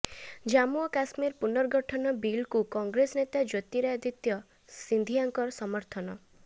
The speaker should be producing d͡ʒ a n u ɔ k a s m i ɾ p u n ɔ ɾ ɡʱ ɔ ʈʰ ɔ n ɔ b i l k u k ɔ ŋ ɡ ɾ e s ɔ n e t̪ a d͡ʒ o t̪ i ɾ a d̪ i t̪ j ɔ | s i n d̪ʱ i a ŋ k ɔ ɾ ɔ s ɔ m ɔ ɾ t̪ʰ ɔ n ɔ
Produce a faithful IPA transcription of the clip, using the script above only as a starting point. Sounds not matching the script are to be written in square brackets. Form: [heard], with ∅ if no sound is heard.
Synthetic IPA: d͡ʒ a [m] u ɔ k a s m i ɾ p u n ɔ ɾ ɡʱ ɔ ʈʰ ɔ n ɔ b i l k u k ɔ ŋ ɡ ɾ e s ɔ n e t̪ a d͡ʒ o t̪ i ɾ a d̪ i t̪ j ɔ | s i n d̪ʱ i a ŋ k ɔ ɾ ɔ s ɔ m ɔ ɾ t̪ʰ ɔ n ɔ